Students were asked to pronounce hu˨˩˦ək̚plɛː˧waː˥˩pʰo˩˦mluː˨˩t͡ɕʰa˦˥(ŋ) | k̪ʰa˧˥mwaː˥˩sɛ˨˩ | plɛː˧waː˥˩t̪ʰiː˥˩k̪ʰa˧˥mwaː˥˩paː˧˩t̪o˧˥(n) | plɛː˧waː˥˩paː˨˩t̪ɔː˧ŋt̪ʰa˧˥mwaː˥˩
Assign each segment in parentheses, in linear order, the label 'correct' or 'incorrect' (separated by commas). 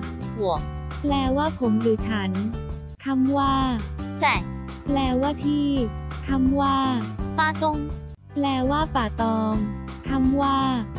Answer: incorrect, incorrect